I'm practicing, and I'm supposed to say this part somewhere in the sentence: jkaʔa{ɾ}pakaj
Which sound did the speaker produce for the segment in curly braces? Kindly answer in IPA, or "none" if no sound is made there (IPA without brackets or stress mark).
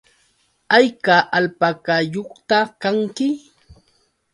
l